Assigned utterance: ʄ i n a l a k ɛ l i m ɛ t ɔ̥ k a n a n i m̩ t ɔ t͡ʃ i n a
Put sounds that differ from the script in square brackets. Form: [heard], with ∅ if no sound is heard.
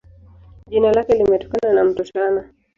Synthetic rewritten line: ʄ i n a l a k ɛ l i m ɛ t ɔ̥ k a n a n [a] m̩ t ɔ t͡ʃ [a] n a